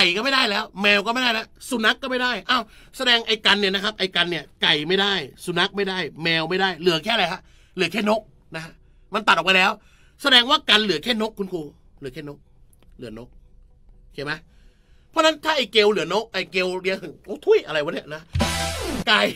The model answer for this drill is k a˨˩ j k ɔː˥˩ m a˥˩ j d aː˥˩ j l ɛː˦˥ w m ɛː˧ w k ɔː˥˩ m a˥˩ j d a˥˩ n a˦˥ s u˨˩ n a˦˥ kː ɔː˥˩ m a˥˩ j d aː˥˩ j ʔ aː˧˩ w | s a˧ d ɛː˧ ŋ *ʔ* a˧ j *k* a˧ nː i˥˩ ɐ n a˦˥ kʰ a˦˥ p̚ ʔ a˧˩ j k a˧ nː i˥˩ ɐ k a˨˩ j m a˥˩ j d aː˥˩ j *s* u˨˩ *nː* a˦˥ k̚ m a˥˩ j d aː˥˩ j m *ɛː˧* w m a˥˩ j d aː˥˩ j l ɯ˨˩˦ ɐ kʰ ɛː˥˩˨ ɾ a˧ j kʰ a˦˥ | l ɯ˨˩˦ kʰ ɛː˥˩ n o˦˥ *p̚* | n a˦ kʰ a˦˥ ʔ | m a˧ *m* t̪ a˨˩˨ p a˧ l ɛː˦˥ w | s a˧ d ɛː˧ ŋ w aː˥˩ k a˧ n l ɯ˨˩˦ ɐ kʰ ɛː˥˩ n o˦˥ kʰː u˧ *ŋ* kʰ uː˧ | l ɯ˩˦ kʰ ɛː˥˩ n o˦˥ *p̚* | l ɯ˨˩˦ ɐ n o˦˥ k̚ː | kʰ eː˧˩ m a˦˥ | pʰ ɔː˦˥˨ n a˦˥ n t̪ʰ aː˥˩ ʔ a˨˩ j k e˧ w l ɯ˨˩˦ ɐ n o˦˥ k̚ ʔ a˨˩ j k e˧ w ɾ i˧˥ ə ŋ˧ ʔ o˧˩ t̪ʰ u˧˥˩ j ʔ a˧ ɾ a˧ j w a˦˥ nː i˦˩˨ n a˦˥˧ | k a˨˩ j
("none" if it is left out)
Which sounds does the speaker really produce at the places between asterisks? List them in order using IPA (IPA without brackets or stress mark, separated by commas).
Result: ʔ, k, s, n, ɛː˧, k̚, n, n, k̚